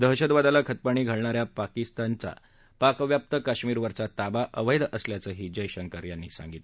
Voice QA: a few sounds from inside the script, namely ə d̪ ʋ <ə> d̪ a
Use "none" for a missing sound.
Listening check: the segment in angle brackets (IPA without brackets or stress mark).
a